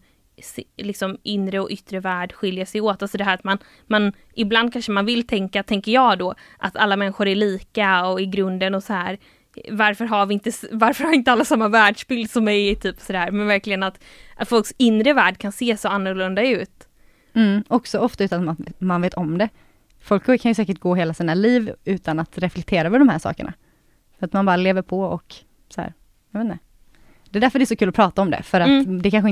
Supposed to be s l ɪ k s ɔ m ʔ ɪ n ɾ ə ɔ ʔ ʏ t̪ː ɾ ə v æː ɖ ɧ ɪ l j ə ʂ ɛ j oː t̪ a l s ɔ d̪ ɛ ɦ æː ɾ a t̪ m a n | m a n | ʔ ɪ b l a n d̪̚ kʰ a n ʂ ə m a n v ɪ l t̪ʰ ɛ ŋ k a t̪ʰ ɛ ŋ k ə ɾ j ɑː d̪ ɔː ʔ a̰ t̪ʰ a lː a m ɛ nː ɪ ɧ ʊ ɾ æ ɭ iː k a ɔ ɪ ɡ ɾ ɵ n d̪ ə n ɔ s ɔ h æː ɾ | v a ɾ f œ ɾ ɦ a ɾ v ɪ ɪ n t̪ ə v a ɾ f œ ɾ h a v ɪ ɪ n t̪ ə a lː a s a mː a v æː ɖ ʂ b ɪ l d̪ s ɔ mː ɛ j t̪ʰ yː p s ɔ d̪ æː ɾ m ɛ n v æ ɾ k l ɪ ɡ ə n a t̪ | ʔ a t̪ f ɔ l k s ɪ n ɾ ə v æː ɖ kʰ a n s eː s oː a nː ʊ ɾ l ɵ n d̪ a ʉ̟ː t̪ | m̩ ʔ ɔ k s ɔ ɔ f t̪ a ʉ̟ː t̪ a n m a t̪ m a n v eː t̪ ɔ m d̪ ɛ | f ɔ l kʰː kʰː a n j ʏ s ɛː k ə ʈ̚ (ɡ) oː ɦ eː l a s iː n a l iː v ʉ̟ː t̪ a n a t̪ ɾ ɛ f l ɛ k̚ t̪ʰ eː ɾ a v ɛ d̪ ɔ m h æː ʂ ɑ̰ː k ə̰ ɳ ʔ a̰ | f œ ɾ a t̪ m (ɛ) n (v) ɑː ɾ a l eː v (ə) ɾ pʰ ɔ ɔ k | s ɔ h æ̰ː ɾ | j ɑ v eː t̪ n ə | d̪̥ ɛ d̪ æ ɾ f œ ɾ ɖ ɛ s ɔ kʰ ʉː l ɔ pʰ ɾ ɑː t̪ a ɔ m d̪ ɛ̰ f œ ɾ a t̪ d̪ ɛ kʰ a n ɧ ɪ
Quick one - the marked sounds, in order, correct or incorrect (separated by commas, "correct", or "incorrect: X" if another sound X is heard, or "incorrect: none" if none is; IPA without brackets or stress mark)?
correct, incorrect: a, incorrect: b, correct